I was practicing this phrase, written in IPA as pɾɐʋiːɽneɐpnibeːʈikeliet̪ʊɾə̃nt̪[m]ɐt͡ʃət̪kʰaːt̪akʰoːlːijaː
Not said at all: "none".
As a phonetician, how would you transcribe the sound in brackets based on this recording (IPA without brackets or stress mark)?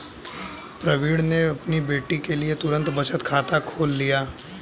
b